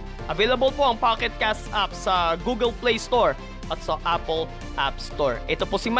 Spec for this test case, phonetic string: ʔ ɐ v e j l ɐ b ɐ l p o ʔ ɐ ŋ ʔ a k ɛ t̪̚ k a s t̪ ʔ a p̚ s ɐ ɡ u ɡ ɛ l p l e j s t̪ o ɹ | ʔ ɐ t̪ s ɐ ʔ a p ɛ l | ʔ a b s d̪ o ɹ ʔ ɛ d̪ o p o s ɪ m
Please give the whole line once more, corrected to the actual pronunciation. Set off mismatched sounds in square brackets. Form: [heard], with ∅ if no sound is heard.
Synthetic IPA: ʔ ɐ v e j l ɐ b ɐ l p o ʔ ɐ ŋ [p] a k ɛ t̪̚ k a s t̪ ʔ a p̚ s ɐ ɡ u ɡ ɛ l p l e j s t̪ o ɹ | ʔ ɐ t̪ s ɐ ʔ a p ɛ l | ʔ a [p] s [t̪] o ɹ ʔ ɛ [t̪] o p o s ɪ m